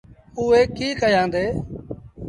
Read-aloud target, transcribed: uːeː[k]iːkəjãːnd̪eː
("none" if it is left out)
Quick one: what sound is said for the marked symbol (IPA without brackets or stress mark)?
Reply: k